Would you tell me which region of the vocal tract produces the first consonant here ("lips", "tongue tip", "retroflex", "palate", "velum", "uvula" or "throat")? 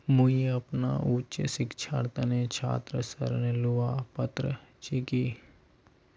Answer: lips